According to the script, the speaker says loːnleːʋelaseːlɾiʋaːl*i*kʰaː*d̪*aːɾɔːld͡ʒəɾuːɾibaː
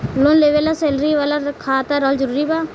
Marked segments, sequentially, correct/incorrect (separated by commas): incorrect, incorrect